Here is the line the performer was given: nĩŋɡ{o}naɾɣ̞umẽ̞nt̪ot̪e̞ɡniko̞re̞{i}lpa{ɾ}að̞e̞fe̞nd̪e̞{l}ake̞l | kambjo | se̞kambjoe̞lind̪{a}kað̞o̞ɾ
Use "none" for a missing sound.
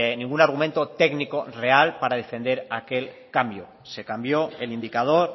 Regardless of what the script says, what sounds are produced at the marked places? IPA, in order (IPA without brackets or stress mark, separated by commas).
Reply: u, a, ɾ, ɾ, i